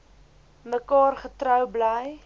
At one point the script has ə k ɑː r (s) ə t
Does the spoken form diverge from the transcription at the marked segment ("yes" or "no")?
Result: yes